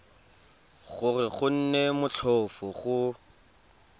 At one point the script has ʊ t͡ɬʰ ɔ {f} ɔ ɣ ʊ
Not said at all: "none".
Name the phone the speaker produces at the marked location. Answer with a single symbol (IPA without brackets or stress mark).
f